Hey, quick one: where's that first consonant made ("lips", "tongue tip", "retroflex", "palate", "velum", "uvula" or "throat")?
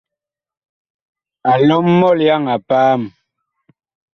tongue tip